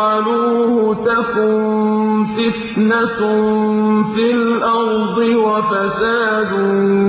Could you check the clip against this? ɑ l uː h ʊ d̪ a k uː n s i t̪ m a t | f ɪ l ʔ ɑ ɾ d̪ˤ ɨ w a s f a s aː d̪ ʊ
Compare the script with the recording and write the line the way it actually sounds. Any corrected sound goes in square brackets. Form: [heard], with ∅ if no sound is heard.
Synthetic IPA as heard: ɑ l uː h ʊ [t̪] a k uː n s [ɪ] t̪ [n] a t | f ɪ l ʔ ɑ ɾ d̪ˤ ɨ w a [∅] f a s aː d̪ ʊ